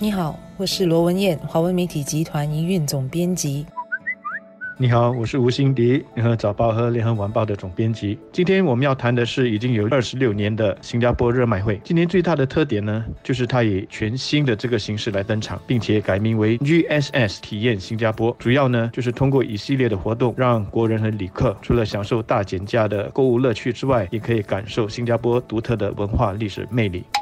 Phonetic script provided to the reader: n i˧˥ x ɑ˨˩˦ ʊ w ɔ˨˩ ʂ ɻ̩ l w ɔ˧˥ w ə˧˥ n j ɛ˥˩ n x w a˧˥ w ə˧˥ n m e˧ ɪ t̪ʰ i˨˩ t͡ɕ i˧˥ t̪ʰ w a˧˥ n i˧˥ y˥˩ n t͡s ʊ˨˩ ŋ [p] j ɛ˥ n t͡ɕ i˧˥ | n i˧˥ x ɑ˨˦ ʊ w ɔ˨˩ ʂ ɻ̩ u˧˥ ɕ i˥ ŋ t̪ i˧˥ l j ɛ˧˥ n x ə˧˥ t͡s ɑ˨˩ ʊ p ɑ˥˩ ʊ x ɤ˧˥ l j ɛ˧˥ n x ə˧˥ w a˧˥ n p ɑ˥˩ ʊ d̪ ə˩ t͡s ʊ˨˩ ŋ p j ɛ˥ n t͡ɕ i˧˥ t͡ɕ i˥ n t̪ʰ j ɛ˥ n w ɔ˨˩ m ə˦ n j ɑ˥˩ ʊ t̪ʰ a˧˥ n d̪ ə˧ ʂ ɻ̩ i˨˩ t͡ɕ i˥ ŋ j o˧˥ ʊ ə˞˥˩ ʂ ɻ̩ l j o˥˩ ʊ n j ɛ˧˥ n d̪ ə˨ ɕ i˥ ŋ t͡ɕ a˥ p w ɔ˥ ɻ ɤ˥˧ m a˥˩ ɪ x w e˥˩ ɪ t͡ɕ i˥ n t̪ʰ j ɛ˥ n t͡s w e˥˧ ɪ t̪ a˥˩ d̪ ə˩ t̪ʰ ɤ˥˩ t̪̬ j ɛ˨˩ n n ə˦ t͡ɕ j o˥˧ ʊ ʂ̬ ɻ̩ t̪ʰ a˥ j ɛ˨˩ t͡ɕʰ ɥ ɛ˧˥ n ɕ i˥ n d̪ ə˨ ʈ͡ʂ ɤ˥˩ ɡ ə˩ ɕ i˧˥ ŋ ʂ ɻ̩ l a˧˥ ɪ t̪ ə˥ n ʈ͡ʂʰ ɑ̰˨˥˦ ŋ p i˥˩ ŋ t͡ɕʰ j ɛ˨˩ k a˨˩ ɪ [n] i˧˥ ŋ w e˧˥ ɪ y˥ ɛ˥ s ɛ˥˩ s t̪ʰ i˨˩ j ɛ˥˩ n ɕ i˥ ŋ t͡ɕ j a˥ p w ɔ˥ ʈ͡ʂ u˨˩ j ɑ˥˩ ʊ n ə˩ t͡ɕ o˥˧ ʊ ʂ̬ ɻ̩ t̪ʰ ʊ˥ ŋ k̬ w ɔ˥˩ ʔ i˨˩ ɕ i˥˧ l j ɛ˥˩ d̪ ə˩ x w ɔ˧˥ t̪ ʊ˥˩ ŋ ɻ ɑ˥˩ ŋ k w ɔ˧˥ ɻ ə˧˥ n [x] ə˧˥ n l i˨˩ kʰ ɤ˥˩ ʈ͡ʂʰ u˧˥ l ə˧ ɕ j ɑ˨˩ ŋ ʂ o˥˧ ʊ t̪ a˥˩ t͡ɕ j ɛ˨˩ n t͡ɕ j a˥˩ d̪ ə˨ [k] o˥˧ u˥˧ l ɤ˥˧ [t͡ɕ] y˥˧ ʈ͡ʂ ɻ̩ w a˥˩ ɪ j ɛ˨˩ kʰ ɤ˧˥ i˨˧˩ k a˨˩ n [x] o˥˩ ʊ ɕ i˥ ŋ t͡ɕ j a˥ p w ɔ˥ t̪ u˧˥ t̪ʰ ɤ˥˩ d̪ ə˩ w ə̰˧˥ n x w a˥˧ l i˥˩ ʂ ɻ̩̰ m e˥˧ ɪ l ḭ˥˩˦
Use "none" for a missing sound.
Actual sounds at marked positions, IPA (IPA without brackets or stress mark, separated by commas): p, m, x, k, t͡ɕʰ, ʂ